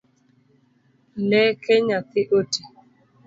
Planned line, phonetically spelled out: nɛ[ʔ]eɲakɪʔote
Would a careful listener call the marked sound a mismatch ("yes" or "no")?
yes